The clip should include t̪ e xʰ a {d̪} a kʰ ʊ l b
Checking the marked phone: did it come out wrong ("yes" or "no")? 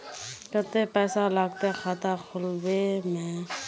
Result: yes